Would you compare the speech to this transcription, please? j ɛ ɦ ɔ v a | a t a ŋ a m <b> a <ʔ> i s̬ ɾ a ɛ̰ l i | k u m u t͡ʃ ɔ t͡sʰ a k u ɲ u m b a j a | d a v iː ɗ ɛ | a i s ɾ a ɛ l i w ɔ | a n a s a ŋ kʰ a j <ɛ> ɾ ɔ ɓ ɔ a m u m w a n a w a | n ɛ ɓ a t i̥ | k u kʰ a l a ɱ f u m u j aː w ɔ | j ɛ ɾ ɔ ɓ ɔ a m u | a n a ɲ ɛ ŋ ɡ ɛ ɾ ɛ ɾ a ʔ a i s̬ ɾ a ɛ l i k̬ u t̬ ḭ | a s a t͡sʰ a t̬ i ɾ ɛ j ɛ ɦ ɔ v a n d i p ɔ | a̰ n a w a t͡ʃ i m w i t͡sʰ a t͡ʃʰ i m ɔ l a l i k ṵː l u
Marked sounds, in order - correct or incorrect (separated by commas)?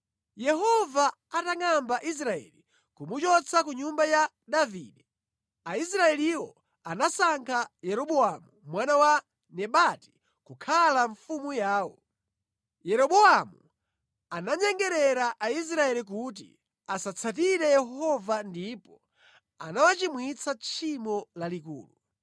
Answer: correct, correct, correct